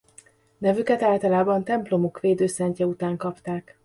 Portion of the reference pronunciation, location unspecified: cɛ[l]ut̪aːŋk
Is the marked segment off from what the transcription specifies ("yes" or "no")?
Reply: yes